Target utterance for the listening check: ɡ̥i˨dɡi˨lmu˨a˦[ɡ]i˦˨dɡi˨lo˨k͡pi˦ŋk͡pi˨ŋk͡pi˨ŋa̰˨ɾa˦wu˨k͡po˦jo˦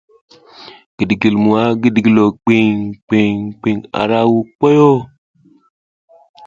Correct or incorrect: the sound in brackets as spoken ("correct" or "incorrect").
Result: correct